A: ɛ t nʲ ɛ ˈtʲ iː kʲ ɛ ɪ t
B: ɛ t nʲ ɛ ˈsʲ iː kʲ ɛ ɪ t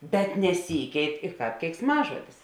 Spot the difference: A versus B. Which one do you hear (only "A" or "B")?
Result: B